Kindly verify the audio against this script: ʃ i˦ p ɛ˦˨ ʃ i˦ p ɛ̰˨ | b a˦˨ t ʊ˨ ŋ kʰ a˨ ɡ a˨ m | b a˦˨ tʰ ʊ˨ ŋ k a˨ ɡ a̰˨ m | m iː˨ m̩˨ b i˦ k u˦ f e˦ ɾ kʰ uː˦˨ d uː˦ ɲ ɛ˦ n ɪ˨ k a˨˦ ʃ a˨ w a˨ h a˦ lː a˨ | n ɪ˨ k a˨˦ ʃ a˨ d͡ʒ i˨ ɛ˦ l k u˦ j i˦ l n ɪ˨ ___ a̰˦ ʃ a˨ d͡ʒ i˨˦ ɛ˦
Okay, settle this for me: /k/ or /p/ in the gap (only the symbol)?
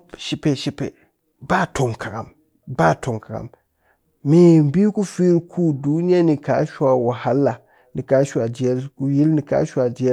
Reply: k